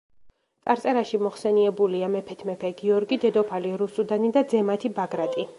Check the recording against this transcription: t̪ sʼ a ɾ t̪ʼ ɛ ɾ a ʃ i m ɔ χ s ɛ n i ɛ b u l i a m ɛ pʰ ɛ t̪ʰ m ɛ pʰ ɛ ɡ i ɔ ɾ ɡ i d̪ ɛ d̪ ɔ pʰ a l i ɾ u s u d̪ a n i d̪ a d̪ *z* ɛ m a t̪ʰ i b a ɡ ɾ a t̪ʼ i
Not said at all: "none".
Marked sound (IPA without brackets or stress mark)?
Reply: z